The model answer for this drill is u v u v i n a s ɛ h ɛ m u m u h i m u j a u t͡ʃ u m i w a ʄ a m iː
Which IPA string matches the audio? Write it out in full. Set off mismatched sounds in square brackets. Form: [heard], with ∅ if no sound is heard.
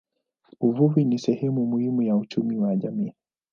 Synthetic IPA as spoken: u v u v i n [i] s ɛ h ɛ m u m u h i m u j a u t͡ʃ u m i w a ʄ a m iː

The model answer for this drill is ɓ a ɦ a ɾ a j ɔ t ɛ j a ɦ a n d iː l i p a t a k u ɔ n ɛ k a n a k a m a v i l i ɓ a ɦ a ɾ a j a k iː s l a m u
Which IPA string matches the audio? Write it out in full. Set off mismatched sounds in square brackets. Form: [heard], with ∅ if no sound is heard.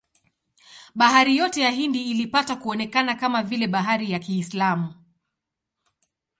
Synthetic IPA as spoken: ɓ a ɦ a ɾ [i] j ɔ t ɛ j a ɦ [i] n d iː l i p a t a k u ɔ n ɛ k a n a k a m a v i l [ɛ] ɓ a ɦ a ɾ [i] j a k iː s l a m u

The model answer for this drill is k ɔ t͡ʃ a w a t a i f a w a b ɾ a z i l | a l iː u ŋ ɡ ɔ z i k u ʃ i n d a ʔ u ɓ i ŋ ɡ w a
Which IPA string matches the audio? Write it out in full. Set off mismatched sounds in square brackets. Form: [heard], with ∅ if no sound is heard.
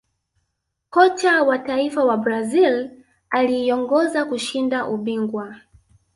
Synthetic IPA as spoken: k ɔ t͡ʃ a w a t a i f a w a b ɾ a z i l | a l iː [ɔ] ŋ ɡ ɔ z [a] k u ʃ i n d a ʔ u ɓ i ŋ ɡ w a

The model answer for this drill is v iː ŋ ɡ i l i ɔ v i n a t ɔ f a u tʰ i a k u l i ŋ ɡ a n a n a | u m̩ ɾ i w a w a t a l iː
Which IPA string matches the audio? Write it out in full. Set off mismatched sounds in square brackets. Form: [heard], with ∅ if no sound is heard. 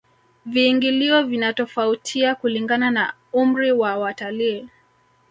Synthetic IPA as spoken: v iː ŋ ɡ i l i ɔ v i n a t ɔ f a u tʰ i a k u l i ŋ ɡ a n a n a | u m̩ ɾ i w a w a t a l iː

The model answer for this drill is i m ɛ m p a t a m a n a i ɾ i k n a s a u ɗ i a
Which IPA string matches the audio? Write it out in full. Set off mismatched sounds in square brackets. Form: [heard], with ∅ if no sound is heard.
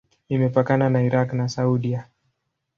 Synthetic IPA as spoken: i m ɛ [∅] p a [k] a [n] a n a i ɾ [a] k n a s a u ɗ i a

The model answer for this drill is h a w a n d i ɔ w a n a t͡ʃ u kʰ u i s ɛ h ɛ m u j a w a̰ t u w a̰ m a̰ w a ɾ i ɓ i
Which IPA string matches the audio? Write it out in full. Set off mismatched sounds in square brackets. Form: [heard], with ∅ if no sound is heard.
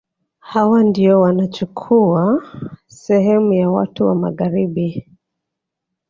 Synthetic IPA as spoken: h a w a n d i ɔ w a n a t͡ʃ u kʰ u [a] s ɛ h ɛ m u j a w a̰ t u w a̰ m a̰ [ɣ] a ɾ i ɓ i

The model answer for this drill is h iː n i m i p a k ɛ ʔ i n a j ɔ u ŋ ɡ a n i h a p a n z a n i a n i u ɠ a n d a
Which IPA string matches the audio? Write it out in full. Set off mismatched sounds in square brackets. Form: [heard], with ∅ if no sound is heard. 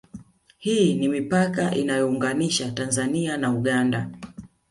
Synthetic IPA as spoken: h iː n i m i p a k [a] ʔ i n a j ɔ u ŋ ɡ a n i [ʃ] a [t] a n z a n i a n [a] u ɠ a n d a

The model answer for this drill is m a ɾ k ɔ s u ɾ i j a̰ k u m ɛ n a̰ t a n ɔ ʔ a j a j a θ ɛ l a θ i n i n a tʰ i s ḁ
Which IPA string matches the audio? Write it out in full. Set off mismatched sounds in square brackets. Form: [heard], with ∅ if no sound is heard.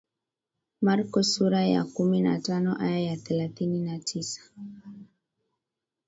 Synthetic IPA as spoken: m a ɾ k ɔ s u ɾ [a] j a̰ k u m [i] n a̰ t a n ɔ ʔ a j a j a θ ɛ l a θ i n i n a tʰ i s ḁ

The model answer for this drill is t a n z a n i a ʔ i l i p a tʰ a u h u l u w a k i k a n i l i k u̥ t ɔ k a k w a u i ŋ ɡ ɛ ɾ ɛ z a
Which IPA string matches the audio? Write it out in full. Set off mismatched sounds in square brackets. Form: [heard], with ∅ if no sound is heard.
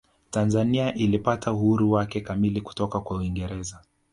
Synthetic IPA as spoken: t a n z a n i a ʔ i l i p a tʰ a u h u [ɾ] u w a k [ɛ] k a [m] i l i k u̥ t ɔ k a k w a u i ŋ ɡ ɛ ɾ ɛ z a

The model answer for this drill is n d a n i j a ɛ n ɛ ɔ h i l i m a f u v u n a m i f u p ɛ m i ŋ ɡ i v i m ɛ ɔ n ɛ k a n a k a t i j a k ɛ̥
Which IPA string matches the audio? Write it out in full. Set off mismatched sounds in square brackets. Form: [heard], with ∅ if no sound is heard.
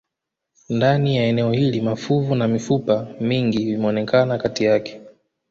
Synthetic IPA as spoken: n d a n i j a ɛ n ɛ ɔ h i l i m a f u v u n a m i f u p [a] m i ŋ ɡ i v i m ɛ ɔ n ɛ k a n a k a t i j a k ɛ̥

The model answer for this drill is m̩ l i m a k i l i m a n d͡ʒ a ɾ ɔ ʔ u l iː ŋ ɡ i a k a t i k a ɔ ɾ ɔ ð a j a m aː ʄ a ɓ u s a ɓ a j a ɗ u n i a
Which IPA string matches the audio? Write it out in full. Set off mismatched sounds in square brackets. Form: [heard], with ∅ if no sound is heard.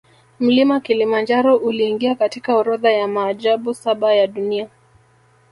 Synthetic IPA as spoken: m̩ l i m a k i l i m a n d͡ʒ a ɾ ɔ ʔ u l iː ŋ ɡ i a k a t i k a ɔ ɾ ɔ ð a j a m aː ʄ a ɓ u s a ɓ a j a ɗ u n i a

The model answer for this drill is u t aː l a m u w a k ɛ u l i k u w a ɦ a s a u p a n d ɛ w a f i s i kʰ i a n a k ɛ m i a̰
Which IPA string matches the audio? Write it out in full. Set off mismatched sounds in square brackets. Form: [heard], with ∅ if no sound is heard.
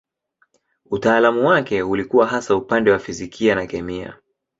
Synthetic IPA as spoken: u t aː l a m u w a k ɛ u l i k u w a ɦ a s a u p a n d ɛ w a f i [z] i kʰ i a n a k ɛ m i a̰

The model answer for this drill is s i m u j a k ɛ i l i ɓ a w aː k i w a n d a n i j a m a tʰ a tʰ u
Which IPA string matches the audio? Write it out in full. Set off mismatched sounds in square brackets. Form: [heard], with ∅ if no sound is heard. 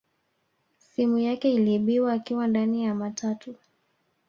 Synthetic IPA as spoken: s i m u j a k ɛ i l i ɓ [i] w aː k i w a n d a n i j a m a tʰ a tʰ u

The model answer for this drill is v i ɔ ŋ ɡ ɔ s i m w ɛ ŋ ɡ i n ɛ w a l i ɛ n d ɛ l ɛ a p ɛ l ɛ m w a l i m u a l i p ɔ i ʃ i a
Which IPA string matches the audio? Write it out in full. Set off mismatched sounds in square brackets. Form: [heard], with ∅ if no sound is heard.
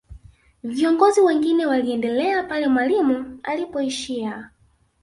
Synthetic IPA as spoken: v i ɔ ŋ ɡ ɔ [z] i [∅] w ɛ ŋ ɡ i n ɛ w a l i ɛ n d ɛ l ɛ a p [a] l ɛ m w a l i m u a l i p ɔ i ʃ i a

